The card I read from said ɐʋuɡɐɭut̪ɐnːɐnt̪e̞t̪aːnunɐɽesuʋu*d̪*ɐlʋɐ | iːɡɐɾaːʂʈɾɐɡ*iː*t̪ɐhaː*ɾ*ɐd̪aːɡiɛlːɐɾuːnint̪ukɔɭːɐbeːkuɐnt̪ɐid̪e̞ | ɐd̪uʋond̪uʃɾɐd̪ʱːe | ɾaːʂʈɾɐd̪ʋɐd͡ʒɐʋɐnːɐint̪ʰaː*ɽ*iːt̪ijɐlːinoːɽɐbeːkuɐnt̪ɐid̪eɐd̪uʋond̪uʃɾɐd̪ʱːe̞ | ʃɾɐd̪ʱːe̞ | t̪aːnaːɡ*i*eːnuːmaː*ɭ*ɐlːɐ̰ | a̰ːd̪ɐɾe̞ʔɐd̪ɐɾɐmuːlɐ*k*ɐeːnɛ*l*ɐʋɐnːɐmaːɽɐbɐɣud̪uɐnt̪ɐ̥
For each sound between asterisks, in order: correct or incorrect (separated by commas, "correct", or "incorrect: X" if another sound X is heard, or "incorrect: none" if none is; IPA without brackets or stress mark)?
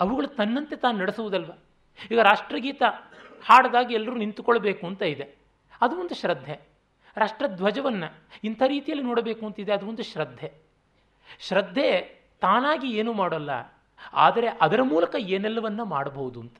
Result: correct, correct, incorrect: ɽ, incorrect: ɾ, correct, incorrect: ɽ, correct, incorrect: lː